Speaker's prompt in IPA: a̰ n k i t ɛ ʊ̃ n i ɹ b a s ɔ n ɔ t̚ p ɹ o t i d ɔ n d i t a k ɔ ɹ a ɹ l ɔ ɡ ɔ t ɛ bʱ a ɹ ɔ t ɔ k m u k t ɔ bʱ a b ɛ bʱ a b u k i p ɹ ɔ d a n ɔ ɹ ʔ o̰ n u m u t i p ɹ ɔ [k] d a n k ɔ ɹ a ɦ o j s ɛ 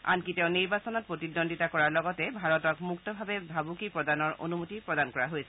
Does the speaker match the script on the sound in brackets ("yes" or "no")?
no